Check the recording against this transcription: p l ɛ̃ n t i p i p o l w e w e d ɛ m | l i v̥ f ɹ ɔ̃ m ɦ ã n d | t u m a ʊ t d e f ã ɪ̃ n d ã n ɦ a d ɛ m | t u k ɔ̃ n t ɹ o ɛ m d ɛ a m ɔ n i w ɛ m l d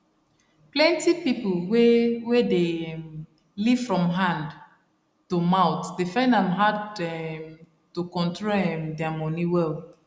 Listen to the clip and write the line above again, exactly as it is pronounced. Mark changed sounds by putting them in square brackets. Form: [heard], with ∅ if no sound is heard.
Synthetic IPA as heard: p l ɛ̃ n t i p i p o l w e w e d [e] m | l i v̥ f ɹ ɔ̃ m ɦ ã n d | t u m a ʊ t d e f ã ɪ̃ n d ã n ɦ a d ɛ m | t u k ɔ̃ n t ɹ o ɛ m d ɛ a m ɔ n i w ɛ [∅] l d